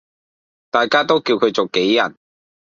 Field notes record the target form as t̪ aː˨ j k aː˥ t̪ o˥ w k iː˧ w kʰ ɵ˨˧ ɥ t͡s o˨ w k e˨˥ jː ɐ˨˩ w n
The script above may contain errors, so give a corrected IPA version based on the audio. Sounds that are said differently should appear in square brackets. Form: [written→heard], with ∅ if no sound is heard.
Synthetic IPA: t̪ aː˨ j k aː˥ t̪ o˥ w k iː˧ w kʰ ɵ˨˧ ɥ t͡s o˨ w k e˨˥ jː ɐ˨˩ [w→∅] n